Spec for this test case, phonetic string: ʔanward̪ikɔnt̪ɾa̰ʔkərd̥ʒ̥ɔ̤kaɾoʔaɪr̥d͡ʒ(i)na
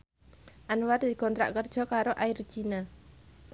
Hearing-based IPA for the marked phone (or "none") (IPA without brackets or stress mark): i